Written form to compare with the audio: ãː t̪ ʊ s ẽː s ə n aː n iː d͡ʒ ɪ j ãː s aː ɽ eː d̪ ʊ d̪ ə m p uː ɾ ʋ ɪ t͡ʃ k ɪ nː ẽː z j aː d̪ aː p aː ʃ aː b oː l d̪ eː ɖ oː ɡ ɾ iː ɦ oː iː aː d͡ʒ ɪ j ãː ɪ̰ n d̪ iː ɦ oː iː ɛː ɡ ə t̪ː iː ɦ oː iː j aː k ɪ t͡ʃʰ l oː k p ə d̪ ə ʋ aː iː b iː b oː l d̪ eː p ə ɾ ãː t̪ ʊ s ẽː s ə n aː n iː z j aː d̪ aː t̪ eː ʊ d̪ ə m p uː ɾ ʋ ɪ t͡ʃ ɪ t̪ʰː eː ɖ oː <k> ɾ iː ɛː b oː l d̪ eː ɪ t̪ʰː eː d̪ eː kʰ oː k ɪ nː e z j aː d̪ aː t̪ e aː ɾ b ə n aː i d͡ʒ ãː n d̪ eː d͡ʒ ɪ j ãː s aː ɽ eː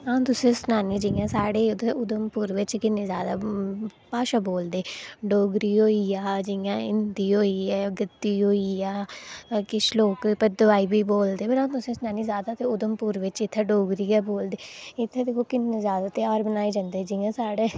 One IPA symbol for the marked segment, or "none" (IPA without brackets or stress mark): ɡ